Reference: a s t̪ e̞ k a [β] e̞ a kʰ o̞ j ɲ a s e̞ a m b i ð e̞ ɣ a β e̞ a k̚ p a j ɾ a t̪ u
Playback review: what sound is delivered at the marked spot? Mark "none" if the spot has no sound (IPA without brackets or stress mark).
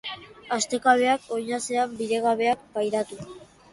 β